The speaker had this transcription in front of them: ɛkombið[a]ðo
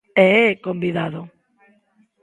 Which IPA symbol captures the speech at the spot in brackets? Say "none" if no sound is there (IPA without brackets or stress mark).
a